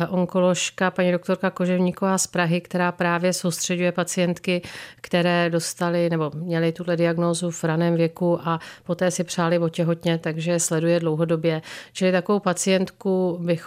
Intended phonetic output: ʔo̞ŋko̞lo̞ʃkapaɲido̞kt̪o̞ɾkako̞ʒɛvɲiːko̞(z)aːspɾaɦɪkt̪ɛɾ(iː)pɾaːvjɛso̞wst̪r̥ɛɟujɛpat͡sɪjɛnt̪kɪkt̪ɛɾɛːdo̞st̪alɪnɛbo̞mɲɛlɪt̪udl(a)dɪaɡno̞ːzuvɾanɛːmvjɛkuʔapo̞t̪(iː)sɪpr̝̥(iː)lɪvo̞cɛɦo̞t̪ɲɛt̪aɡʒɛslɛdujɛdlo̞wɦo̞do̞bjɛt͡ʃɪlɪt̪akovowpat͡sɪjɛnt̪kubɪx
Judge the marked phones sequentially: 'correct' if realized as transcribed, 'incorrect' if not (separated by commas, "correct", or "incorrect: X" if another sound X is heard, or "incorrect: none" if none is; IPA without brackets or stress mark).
incorrect: v, incorrect: aː, incorrect: ɛ, incorrect: ɛː, incorrect: aː